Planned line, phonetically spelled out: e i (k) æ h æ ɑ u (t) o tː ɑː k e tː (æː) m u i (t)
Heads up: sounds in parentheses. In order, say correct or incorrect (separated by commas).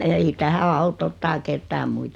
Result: incorrect, correct, correct, correct